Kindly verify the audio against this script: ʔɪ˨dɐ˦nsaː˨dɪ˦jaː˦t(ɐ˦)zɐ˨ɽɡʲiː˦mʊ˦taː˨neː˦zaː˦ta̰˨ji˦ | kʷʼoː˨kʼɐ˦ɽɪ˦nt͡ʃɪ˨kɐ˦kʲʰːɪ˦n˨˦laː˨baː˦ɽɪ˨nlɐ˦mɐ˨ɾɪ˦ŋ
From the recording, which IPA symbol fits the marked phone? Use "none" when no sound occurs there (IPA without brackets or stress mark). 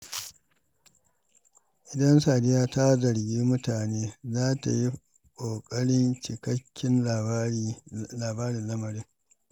a˦